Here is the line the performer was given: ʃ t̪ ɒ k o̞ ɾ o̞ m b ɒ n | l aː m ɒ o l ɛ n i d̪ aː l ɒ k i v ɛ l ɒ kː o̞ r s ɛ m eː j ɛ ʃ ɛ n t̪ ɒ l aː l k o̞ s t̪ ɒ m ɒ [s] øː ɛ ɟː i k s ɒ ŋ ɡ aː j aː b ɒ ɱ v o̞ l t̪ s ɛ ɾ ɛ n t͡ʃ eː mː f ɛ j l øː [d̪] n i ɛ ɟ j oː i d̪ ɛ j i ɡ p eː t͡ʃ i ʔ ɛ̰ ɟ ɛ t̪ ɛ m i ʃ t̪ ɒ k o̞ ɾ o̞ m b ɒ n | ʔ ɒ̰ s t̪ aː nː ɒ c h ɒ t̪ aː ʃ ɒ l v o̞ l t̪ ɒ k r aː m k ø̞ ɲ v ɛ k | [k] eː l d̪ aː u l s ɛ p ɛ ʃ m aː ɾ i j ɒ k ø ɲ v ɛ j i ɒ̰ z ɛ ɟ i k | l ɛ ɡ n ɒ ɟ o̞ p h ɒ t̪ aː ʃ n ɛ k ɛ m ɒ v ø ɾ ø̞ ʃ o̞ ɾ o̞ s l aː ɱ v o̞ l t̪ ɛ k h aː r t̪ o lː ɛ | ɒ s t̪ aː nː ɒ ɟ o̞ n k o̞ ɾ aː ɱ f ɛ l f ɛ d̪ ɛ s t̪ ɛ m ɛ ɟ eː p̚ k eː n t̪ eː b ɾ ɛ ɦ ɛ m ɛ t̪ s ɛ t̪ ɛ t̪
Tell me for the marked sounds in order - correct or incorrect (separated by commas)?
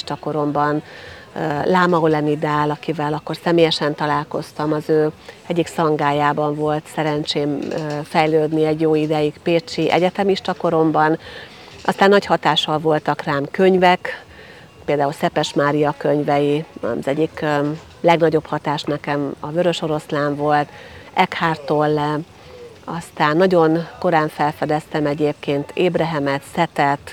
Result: incorrect, correct, incorrect